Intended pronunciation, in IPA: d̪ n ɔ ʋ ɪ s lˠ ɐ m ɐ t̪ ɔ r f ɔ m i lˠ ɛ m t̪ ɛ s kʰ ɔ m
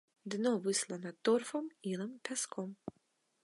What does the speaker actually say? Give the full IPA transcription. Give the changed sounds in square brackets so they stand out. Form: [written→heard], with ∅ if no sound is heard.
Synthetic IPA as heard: d̪ n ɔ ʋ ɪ s lˠ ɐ [m→n] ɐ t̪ ɔ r f ɔ m i lˠ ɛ m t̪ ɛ s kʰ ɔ m